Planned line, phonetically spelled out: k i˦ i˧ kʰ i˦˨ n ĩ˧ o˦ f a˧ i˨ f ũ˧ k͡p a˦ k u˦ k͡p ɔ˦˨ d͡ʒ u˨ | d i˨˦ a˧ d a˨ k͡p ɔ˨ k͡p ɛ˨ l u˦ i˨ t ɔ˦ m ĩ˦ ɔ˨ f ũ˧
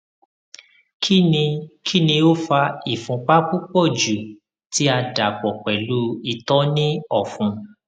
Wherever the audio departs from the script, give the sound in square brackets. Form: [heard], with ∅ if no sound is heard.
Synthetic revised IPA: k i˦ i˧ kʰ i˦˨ n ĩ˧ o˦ f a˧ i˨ f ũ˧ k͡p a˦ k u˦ k͡p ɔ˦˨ d͡ʒ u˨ | [t] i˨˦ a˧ d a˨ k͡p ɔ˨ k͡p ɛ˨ l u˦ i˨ t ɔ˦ [n] ĩ˦ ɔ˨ f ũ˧